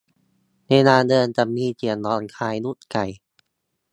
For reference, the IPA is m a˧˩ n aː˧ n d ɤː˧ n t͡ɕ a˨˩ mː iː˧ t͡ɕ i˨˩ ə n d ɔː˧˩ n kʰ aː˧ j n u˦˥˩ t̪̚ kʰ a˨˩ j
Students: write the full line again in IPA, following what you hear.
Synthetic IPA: n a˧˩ n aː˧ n d ɤː˧ n t͡ɕ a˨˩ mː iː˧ t͡ɕ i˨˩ ə n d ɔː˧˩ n kʰ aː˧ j n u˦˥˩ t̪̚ k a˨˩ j